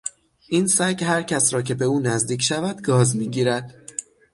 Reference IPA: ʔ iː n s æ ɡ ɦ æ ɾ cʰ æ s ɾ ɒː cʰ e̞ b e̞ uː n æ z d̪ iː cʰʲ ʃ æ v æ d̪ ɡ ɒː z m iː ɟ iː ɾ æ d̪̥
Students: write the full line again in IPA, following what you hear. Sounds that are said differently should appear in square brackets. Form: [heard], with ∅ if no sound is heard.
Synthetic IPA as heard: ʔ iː n s æ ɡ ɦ æ ɾ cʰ æ s ɾ ɒː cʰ e̞ b e̞ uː n æ z d̪ iː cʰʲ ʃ æ v æ d̪ ɡ ɒː z m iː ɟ iː ɾ æ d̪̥